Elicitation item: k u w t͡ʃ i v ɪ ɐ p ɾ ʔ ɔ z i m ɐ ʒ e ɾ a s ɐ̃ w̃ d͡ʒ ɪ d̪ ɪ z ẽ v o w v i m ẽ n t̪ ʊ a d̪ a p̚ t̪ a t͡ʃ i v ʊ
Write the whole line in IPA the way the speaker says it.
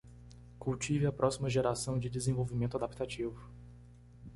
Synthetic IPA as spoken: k u w t͡ʃ i v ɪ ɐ p ɾ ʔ ɔ s i m ɐ ʒ e ɾ a s ɐ̃ w̃ d͡ʒ ɪ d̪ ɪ z ẽ v o w v i m ẽ n t̪ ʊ a d̪ a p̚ t̪ a t͡ʃ i v ʊ